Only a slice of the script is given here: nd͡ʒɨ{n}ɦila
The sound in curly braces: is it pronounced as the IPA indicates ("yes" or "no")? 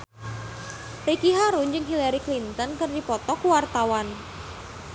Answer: no